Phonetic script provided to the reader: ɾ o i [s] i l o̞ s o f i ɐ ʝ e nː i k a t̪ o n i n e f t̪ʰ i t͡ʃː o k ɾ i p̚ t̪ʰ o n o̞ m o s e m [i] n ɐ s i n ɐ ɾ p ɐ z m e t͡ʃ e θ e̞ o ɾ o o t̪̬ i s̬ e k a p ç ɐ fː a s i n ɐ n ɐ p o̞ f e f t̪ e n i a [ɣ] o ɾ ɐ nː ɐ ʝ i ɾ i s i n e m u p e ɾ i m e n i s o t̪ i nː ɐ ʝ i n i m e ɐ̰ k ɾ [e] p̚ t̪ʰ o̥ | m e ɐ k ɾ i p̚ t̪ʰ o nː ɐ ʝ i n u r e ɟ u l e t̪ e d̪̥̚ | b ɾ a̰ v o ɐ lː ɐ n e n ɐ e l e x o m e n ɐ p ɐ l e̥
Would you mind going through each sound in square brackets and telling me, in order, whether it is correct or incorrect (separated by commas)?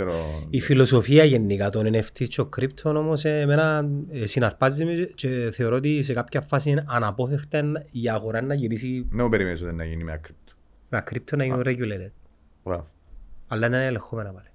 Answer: incorrect, incorrect, correct, incorrect